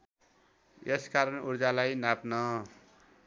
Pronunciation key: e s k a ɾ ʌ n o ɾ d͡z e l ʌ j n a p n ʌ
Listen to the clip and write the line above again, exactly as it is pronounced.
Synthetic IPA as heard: e s k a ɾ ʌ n u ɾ d͡z a l a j n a p n ʌ